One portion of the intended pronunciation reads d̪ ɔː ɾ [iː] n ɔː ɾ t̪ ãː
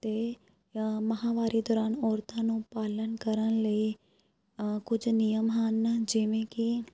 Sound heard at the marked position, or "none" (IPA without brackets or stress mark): aː